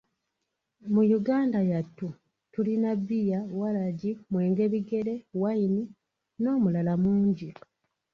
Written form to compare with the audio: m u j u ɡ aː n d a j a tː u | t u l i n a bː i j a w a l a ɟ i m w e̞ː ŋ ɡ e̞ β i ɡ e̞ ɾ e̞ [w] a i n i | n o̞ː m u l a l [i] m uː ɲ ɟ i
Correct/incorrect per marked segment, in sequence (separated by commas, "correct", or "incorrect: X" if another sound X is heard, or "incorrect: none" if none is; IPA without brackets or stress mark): correct, incorrect: a